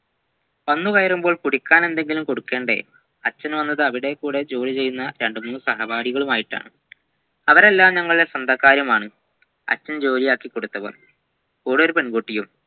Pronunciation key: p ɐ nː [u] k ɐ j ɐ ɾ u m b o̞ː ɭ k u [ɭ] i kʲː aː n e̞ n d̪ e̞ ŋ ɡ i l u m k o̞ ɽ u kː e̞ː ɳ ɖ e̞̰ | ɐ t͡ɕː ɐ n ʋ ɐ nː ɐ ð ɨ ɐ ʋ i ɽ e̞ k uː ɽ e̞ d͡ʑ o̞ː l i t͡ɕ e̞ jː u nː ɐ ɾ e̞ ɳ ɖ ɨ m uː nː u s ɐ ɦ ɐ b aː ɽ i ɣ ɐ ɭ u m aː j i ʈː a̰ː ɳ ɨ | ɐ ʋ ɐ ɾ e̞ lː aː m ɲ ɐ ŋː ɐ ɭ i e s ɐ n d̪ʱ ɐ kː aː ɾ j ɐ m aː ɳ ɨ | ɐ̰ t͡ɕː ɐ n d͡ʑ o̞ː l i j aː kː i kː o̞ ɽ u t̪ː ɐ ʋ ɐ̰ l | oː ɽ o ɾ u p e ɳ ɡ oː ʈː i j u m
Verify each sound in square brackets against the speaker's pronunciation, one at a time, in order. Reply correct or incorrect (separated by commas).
correct, incorrect